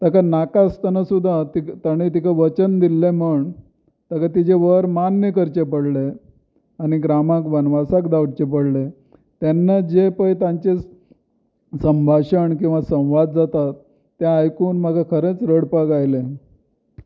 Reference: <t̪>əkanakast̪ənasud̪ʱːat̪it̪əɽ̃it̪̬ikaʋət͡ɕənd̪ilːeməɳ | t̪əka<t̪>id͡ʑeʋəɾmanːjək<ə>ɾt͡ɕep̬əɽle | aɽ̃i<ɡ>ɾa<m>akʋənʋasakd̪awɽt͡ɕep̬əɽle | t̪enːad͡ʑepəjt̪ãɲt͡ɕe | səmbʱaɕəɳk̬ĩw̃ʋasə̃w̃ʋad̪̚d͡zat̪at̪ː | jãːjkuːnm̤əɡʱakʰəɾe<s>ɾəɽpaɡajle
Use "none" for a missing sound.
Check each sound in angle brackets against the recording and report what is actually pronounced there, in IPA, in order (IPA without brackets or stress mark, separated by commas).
t̪, t̪, ə, ɡ, m, t͡s